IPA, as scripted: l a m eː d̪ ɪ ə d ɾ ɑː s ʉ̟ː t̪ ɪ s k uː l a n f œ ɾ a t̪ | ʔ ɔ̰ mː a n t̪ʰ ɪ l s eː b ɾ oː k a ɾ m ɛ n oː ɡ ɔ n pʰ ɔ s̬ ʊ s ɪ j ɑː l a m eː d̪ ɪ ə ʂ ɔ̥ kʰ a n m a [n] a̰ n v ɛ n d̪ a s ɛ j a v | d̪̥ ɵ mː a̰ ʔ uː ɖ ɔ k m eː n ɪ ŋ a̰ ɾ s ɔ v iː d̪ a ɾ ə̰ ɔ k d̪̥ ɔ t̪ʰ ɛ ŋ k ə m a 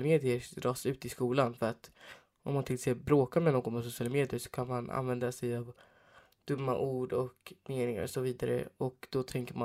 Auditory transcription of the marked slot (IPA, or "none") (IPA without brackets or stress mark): n